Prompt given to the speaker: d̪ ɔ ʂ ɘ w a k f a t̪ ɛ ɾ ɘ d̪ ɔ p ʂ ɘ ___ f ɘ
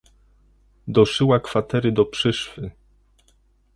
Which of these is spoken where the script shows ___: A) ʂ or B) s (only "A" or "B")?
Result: A